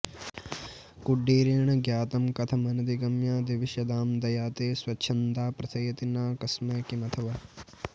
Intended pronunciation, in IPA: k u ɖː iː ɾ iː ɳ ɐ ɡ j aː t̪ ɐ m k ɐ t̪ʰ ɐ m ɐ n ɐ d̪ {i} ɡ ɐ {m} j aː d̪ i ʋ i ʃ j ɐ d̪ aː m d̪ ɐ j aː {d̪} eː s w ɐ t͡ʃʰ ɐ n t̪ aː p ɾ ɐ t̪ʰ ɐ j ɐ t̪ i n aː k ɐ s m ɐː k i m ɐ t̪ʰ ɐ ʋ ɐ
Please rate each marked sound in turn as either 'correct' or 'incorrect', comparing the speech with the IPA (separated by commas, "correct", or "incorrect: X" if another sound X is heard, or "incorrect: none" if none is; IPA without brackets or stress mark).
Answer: correct, correct, incorrect: t̪